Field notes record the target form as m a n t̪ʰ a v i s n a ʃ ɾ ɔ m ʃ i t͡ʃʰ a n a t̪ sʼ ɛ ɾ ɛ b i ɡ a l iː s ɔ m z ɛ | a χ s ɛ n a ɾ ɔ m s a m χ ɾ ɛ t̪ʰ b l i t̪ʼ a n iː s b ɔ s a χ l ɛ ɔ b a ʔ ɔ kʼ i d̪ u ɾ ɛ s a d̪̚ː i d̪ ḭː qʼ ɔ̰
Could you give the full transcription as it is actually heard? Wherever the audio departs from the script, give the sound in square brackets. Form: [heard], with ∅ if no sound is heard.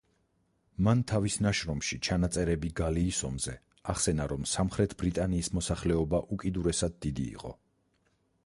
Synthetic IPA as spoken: m a n t̪ʰ a v i s n a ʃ ɾ ɔ m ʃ i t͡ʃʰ a n a t̪ sʼ ɛ ɾ ɛ b i ɡ a l iː s ɔ m z ɛ | a χ s ɛ n a ɾ ɔ m s a m χ ɾ ɛ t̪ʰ b [ɾ] i t̪ʼ a n iː s [m] ɔ s a χ l ɛ ɔ b a ʔ [u] kʼ i d̪ u ɾ ɛ s a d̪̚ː i d̪ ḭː qʼ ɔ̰